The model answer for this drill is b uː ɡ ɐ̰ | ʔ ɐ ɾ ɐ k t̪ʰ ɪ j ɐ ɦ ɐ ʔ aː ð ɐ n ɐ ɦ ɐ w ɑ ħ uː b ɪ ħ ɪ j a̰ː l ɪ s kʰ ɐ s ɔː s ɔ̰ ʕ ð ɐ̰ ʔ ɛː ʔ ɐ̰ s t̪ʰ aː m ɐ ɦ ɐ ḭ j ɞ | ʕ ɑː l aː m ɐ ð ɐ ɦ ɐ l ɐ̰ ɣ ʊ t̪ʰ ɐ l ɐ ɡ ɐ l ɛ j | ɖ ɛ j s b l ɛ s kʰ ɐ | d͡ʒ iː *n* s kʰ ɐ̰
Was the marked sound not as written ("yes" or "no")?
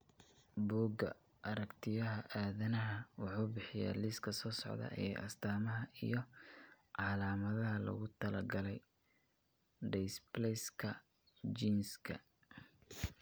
no